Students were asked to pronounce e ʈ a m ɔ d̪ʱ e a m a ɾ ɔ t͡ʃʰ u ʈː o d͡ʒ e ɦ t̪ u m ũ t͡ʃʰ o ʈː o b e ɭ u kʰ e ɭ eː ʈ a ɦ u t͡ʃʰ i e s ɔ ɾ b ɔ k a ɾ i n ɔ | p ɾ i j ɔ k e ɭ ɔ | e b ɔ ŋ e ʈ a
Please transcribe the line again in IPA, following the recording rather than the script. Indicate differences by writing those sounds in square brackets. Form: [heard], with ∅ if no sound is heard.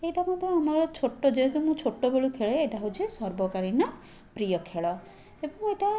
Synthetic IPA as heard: e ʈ a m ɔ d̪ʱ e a m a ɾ ɔ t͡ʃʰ [o] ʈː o d͡ʒ e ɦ t̪ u m ũ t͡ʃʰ o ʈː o b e ɭ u kʰ e ɭ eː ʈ a ɦ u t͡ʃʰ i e s ɔ ɾ b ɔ k a ɾ i n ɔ | p ɾ i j ɔ [kʰ] e ɭ ɔ | e b ɔ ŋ e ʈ a